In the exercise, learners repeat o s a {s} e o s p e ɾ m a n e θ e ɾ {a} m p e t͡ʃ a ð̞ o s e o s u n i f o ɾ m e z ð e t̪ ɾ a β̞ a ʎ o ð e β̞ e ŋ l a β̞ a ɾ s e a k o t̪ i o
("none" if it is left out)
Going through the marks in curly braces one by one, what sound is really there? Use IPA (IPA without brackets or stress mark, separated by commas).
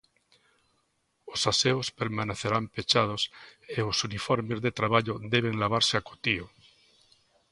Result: s, a